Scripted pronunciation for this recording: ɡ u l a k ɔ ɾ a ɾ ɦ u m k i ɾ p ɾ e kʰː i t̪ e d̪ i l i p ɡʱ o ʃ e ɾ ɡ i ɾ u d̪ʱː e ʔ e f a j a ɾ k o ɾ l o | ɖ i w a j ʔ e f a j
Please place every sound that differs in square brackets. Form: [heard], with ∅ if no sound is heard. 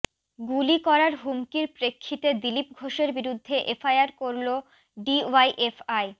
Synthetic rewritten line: ɡ u l [i] k ɔ ɾ a ɾ ɦ u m k i ɾ p ɾ e kʰː i t̪ e d̪ i l i p ɡʱ o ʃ e ɾ [b] i ɾ u d̪ʱː e ʔ e f a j a ɾ k o ɾ l o | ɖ i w a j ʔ e f a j